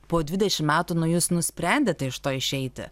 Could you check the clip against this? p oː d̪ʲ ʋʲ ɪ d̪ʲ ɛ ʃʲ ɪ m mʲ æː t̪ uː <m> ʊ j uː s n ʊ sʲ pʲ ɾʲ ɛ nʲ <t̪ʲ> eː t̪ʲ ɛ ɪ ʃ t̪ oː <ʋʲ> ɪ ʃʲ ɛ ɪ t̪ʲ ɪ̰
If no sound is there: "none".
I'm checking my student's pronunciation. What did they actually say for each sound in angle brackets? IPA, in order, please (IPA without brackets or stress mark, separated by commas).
n, d̪ʲ, none